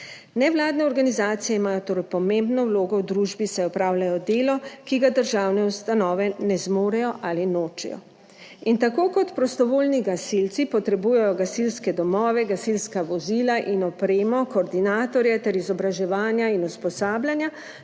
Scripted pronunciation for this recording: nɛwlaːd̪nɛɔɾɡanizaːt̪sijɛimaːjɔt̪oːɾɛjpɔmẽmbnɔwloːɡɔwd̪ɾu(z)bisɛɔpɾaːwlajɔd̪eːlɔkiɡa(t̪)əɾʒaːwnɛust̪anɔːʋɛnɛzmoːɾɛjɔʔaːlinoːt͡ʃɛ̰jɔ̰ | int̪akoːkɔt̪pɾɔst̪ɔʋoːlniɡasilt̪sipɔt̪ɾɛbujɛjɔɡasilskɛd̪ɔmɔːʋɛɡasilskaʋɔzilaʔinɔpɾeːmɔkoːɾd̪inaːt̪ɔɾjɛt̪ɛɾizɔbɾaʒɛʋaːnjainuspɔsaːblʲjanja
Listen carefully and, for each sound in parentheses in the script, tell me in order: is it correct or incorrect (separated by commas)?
incorrect, incorrect